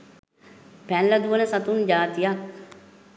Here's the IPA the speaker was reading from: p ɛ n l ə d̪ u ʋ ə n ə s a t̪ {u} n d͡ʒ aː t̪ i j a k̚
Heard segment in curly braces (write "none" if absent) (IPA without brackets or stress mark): u